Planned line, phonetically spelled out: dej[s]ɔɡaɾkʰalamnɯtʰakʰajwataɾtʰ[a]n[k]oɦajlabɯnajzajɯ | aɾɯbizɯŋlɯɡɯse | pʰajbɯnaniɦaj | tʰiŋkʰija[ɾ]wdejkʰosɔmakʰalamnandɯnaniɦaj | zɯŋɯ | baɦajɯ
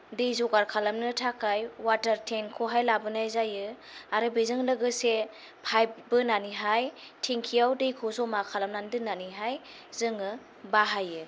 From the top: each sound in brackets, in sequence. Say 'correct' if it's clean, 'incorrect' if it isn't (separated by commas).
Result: incorrect, incorrect, incorrect, incorrect